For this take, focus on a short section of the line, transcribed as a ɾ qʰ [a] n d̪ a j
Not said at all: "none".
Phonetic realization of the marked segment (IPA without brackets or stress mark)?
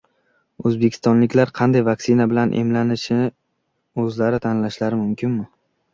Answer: ɑ